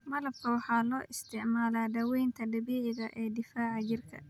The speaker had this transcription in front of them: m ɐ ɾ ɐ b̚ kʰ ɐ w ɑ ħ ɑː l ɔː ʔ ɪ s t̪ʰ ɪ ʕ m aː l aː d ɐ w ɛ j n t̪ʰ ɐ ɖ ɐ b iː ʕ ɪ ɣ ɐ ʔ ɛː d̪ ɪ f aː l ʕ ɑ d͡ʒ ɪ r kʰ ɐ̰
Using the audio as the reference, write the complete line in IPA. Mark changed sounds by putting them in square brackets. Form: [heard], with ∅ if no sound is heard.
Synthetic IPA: m ɐ [l] ɐ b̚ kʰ ɐ w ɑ ħ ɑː l ɔː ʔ ɪ s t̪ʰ ɪ ʕ m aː l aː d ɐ w ɛ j n t̪ʰ ɐ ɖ ɐ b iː ʕ ɪ ɣ ɐ ʔ ɛː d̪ ɪ f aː [∅] ʕ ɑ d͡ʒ ɪ r kʰ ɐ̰